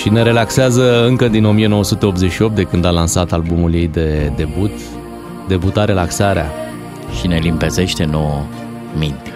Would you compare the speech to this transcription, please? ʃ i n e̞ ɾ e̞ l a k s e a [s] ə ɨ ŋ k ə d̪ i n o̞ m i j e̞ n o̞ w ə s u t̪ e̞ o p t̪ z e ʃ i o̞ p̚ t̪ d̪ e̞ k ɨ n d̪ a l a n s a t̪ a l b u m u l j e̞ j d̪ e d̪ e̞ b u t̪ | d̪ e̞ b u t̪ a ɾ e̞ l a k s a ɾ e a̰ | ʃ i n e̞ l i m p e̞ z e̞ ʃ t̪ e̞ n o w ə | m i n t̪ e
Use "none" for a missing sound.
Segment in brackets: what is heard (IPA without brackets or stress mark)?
z